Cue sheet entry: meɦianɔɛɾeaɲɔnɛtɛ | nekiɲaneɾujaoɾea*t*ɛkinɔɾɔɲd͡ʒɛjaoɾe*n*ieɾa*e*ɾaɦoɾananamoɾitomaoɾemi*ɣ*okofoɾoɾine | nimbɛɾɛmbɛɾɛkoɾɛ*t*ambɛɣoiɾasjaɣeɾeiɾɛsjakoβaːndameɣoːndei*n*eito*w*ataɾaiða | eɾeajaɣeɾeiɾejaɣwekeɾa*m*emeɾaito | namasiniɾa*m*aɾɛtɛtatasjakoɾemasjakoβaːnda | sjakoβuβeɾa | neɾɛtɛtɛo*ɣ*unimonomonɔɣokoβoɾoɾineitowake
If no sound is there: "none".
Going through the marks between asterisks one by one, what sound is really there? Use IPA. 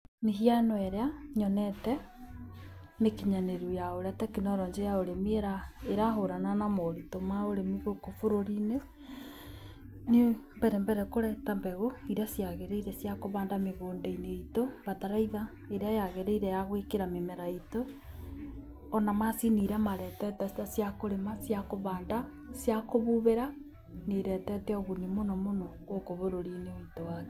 t, m, e, ɣ, t, n, β, m, m, ɣ

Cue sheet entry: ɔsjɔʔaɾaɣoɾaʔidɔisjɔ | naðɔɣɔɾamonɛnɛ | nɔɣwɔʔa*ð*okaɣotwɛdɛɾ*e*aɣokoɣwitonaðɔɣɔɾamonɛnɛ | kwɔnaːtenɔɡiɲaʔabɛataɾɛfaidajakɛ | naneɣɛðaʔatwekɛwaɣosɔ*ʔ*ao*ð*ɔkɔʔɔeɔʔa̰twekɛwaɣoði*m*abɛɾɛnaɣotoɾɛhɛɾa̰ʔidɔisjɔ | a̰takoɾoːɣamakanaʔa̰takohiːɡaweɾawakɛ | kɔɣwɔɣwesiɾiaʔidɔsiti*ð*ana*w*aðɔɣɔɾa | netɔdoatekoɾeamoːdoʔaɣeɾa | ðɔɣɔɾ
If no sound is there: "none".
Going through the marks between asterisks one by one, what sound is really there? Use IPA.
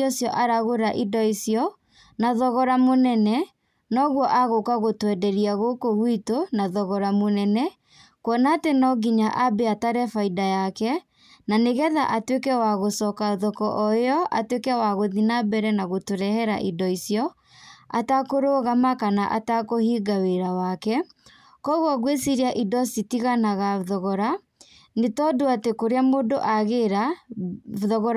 ɣ, i, k, ð, n, ɣ, ɣ

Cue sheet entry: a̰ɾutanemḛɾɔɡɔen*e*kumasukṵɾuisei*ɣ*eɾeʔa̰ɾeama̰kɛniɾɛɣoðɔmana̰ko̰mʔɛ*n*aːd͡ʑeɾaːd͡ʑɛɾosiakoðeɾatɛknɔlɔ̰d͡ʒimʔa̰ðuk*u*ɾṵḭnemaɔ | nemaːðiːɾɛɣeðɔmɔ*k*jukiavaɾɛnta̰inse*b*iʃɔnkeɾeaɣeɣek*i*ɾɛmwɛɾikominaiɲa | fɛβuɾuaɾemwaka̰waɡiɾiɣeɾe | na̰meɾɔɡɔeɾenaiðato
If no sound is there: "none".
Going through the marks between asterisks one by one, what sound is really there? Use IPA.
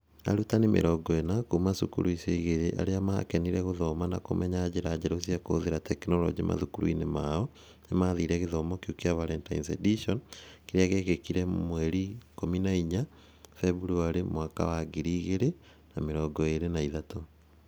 a, ɣ, ɲ, u, k, d, i

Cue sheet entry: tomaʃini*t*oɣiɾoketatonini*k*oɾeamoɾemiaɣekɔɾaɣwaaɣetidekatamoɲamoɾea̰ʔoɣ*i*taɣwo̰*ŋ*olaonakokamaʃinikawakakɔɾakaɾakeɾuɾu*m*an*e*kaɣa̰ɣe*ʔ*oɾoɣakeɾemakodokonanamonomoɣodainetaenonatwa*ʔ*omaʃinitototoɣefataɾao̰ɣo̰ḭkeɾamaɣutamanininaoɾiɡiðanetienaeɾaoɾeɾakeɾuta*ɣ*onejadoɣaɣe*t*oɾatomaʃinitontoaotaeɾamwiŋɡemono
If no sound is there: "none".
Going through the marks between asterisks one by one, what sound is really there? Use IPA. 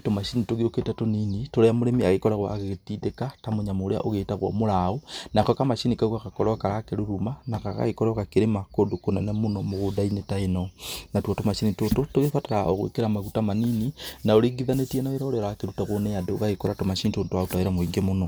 t, t, e, m, m, a, k, t, ɣ, k

